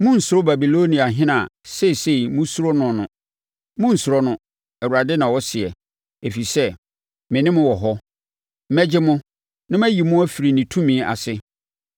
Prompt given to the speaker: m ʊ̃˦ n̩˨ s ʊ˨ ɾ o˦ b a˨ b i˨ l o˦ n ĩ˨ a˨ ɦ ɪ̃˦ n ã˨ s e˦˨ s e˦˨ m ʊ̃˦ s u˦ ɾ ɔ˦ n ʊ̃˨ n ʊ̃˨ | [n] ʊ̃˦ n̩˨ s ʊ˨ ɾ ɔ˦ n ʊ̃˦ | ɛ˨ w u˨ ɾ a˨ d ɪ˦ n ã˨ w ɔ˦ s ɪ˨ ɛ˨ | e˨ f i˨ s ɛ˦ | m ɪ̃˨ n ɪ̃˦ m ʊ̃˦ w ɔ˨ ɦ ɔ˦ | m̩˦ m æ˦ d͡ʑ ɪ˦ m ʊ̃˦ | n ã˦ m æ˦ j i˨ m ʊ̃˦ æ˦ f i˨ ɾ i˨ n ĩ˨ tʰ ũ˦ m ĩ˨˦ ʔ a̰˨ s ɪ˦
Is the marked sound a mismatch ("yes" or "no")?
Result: yes